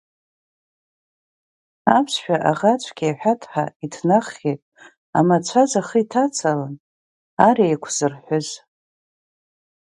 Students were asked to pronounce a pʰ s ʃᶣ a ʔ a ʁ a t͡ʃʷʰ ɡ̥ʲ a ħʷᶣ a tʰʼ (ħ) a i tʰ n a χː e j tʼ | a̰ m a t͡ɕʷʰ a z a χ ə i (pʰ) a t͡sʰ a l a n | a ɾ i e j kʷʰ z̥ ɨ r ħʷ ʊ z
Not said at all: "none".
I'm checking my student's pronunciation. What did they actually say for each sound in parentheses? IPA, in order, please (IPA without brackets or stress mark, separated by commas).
ħ, tʰ